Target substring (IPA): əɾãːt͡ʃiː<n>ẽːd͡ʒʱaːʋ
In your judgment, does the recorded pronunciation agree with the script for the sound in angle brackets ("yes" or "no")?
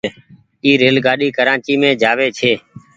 no